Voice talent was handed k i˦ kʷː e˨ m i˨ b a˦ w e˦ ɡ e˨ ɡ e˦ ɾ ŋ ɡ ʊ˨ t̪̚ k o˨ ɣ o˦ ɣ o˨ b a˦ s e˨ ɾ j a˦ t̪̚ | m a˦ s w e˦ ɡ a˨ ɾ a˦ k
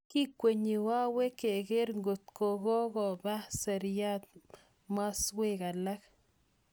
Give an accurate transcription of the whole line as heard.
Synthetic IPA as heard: k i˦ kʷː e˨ ɲ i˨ w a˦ w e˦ k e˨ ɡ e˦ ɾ ŋ ɡ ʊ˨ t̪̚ k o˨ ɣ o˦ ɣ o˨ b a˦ s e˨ ɾ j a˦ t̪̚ | m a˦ s w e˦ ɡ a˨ l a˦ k